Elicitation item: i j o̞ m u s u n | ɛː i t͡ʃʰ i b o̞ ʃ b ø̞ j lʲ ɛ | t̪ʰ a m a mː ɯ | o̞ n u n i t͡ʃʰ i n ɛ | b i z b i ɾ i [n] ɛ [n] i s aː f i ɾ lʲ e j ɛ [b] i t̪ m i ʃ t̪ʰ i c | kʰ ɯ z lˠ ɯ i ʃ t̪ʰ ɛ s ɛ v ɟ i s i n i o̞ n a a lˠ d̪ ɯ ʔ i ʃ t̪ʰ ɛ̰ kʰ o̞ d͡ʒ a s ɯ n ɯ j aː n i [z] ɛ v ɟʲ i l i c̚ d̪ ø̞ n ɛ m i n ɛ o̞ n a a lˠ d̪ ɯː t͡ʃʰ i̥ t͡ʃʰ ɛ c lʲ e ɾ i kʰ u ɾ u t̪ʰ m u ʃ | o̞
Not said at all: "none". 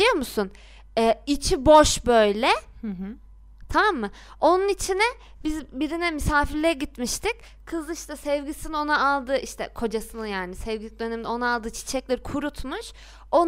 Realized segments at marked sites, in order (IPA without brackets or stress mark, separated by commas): n, m, ɟ, s